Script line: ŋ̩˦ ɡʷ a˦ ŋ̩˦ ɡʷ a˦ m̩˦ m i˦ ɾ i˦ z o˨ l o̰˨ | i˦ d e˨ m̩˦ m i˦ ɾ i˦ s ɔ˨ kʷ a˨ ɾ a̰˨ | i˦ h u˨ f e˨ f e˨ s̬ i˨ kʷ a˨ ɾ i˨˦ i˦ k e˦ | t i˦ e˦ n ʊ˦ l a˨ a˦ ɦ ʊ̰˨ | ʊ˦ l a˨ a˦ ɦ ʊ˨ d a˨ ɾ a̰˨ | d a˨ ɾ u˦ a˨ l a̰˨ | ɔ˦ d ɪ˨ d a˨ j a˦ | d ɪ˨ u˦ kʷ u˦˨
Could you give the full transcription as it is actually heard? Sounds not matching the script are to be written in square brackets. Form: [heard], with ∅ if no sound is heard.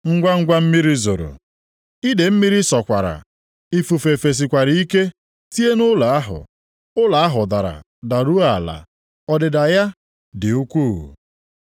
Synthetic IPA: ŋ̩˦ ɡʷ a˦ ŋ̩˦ ɡʷ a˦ m̩˦ m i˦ ɾ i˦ z o˨ [ɾ] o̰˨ | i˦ d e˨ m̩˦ m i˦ ɾ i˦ s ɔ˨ kʷ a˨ ɾ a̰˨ | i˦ [f] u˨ f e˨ f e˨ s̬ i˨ kʷ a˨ ɾ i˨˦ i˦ k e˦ | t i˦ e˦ n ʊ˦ l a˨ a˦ ɦ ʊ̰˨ | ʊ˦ l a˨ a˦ ɦ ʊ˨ d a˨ ɾ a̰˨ | d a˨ ɾ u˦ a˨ l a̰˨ | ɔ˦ d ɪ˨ d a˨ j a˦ | d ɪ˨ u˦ kʷ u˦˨